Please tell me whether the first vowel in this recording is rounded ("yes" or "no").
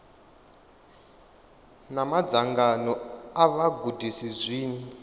no